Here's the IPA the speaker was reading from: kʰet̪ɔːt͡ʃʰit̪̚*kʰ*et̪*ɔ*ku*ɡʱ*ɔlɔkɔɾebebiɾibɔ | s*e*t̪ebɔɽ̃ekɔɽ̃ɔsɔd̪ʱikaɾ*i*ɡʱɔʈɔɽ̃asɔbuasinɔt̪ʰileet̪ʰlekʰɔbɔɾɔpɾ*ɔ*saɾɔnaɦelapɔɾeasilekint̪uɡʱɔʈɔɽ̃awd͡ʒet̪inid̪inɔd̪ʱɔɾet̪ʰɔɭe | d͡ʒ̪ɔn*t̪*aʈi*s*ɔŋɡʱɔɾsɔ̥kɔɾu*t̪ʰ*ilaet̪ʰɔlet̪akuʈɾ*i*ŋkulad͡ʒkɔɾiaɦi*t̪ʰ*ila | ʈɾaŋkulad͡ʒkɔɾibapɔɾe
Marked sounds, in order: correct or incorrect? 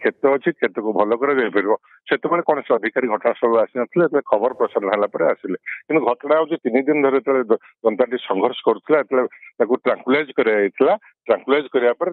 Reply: correct, correct, incorrect, correct, correct, correct, correct, correct, correct, incorrect, correct

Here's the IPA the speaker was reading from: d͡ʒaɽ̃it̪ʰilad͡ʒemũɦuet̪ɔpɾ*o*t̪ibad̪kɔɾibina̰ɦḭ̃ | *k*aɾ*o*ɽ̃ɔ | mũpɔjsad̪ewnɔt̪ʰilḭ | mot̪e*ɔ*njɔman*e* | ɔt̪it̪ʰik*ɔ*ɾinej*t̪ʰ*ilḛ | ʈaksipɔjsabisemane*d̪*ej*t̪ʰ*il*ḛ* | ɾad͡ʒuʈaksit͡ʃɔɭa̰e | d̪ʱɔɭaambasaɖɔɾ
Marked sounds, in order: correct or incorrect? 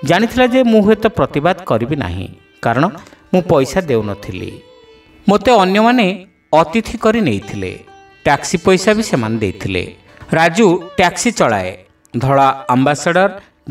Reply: incorrect, correct, incorrect, correct, correct, correct, correct, correct, correct, correct

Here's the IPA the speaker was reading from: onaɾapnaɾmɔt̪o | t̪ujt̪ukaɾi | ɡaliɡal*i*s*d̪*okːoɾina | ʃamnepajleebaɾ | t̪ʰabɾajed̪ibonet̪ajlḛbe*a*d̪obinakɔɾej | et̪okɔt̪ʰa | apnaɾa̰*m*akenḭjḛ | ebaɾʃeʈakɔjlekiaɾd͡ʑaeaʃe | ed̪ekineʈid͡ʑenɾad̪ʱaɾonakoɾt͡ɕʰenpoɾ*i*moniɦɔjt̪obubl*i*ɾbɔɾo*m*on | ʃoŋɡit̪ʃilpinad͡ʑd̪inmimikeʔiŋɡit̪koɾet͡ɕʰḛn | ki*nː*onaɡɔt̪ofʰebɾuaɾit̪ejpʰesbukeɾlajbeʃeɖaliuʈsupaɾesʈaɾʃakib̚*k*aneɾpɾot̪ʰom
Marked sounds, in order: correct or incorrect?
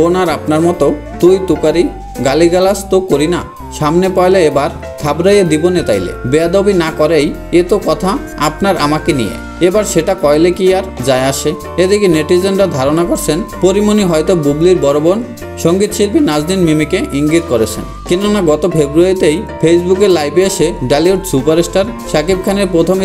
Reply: incorrect, incorrect, correct, correct, correct, correct, incorrect, incorrect, incorrect

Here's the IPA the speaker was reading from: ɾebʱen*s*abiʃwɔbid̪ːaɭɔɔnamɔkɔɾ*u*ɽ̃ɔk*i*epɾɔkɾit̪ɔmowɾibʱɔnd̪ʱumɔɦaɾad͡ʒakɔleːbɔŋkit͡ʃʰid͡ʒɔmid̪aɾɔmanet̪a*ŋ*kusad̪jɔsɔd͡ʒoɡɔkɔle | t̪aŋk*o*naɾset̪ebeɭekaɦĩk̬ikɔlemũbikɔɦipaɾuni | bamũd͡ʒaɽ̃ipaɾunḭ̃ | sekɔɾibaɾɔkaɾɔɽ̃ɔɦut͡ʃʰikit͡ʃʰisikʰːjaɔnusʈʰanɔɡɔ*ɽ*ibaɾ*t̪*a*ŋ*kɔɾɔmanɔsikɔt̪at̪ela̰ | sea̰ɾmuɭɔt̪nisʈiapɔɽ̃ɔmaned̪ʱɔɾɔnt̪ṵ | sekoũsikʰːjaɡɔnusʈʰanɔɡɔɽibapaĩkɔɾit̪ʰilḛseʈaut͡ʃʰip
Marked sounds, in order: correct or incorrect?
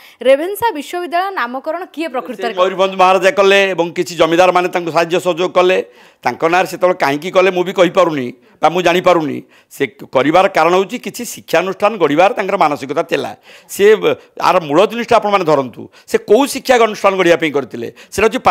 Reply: correct, incorrect, correct, correct, incorrect, correct, correct, correct

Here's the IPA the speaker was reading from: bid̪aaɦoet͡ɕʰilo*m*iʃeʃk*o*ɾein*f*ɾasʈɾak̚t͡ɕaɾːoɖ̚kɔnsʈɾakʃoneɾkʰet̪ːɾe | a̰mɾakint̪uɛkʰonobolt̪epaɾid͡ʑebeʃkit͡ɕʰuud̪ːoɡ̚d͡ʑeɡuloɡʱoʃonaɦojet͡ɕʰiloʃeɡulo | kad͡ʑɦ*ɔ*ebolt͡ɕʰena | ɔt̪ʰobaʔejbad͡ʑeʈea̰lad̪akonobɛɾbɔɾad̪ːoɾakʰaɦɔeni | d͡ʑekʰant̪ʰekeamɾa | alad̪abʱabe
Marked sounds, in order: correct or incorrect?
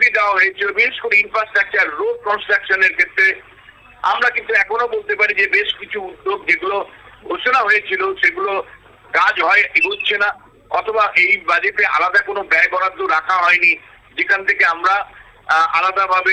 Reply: incorrect, correct, correct, correct

